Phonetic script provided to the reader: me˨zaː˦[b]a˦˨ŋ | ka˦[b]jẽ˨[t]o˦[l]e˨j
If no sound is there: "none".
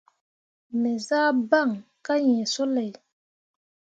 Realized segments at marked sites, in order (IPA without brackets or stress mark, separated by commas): b, none, s, l